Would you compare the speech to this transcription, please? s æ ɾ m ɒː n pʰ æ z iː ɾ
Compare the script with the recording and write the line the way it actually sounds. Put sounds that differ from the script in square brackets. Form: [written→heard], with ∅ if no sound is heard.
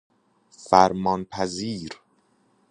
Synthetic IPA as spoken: [s→f] æ ɾ m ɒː n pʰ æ z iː ɾ